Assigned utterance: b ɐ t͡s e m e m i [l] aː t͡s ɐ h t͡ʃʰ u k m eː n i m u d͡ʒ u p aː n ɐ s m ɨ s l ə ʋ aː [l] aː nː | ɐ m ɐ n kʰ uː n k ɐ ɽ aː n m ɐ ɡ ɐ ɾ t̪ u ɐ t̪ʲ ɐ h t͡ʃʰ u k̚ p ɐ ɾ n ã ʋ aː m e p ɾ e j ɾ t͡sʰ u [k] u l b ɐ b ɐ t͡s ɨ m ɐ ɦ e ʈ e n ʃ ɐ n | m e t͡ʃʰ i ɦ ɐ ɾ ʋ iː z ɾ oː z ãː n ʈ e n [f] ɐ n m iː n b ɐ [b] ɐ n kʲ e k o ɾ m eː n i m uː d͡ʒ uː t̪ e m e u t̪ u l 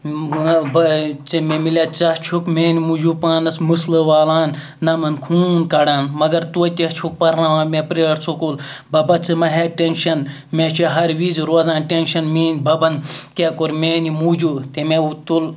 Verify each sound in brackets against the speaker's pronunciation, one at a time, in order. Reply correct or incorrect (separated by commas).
correct, correct, correct, incorrect, correct